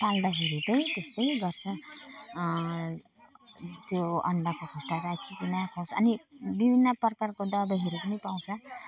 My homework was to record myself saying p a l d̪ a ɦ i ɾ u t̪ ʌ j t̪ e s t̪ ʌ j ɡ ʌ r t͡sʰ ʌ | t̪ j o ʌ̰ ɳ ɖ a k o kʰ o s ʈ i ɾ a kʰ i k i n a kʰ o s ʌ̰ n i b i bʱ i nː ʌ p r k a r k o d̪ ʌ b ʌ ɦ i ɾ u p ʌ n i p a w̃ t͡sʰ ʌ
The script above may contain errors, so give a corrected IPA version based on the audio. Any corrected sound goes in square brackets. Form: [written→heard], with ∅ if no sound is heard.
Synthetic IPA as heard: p a l d̪ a ɦ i ɾ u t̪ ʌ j t̪ e s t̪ ʌ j ɡ ʌ r t͡sʰ ʌ | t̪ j o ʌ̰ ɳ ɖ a k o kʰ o s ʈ [i→a] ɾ a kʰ i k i n a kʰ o s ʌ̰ n i b i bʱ i nː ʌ p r k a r k o d̪ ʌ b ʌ ɦ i ɾ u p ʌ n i p a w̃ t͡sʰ ʌ

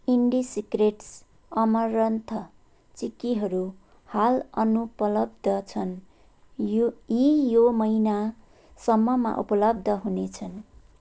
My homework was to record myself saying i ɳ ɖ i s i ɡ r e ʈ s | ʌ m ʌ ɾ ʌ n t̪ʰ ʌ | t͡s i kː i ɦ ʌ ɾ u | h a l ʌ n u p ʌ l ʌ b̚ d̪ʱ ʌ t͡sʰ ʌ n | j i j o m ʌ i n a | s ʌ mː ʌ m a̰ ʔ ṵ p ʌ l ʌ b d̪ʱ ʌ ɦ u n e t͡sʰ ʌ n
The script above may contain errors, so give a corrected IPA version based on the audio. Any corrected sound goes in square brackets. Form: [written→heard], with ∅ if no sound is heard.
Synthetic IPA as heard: i ɳ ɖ i s i [ɡ→k] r e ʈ s | ʌ m ʌ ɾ ʌ n t̪ʰ ʌ | t͡s i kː i ɦ ʌ ɾ u | h a l ʌ n u p ʌ l ʌ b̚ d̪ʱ ʌ t͡sʰ ʌ n | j i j o m ʌ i n a | s ʌ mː ʌ m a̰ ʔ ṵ p ʌ l ʌ b d̪ʱ ʌ ɦ u n e t͡sʰ ʌ n

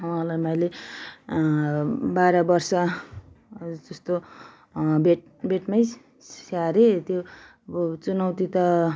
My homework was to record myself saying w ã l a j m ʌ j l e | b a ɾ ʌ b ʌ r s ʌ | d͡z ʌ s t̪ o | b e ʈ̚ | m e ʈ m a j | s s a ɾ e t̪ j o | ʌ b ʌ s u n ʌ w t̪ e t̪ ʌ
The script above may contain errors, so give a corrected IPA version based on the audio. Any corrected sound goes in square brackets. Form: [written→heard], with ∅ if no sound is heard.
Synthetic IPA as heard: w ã l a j m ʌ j l e | b a ɾ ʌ b ʌ r s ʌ | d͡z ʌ s t̪ o | b e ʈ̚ | [m→b] e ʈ m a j | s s a ɾ e t̪ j o | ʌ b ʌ [s→t͡s] u n ʌ w t̪ [e→i] t̪ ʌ

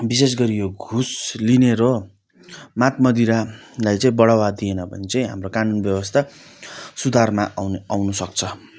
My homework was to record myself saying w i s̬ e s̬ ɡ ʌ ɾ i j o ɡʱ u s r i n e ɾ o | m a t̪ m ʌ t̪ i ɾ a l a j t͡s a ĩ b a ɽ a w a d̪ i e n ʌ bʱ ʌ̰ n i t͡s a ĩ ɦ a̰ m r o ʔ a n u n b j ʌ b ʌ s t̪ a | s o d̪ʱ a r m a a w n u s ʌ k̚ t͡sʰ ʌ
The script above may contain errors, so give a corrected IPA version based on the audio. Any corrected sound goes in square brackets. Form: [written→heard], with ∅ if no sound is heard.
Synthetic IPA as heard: [w→b] i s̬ e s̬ ɡ ʌ ɾ i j o ɡʱ u s [r→l] i n e ɾ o | m a t̪ m ʌ [t̪→d̪] i ɾ a l a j t͡s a ĩ b [a→ʌ] ɽ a w a d̪ i e n ʌ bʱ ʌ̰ n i t͡s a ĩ ɦ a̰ m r o [ʔ→k] a n u n b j ʌ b ʌ s [t̪→t̪ʰ] a | s [o→u] d̪ʱ a r m a a w n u s ʌ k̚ t͡sʰ ʌ

